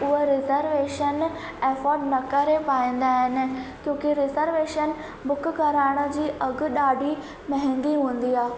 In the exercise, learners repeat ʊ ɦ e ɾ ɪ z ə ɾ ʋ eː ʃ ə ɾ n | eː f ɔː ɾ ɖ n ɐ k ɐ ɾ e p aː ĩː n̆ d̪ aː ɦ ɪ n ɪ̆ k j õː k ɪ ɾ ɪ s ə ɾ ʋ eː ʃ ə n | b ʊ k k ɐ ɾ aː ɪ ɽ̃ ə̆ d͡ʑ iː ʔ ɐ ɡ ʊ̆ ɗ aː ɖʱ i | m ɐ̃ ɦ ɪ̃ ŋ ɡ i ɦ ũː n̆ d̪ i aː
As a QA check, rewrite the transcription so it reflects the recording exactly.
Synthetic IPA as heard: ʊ ɦ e ɾ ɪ z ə ɾ ʋ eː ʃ ə n | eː f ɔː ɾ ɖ n ɐ k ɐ ɾ e p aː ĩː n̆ d̪ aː ɦ ɪ n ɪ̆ k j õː k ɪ ɾ ɪ z ə ɾ ʋ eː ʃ ə n | b ʊ k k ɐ ɾ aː ɪ ɽ̃ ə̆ d͡ʑ iː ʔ ɐ ɡ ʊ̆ ɗ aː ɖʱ i | m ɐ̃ ɦ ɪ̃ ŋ ɡ i ɦ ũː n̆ d̪ i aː